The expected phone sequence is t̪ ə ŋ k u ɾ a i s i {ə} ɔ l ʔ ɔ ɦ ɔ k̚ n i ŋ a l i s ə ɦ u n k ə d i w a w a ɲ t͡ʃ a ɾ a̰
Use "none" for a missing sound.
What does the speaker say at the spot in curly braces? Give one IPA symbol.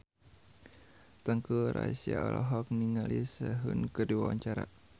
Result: a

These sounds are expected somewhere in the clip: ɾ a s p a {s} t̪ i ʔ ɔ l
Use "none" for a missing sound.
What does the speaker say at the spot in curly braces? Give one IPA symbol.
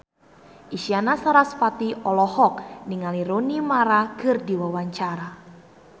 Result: none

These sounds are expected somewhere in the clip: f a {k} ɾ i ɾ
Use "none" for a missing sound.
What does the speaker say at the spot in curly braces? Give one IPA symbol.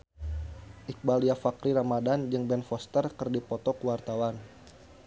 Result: k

